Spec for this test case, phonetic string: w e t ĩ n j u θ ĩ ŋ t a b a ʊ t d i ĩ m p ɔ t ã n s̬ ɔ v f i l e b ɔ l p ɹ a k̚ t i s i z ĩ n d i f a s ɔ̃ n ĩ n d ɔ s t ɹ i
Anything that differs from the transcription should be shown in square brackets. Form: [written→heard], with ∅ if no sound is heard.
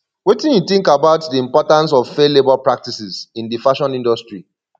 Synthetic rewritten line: w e t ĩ n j u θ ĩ ŋ [t→k] a b a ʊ t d i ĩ m p ɔ t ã n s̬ ɔ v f [i→e] l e b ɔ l p ɹ a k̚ t i s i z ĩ n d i f a [s→ʃ] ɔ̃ n ĩ n d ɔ s t ɹ i